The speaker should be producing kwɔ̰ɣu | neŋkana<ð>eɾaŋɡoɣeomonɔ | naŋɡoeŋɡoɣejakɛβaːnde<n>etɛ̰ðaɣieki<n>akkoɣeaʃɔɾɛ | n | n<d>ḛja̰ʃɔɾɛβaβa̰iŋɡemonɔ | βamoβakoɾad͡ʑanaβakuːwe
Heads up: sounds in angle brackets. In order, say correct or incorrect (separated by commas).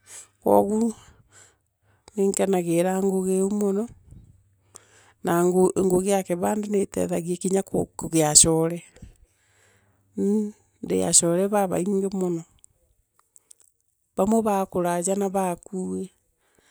incorrect, correct, incorrect, correct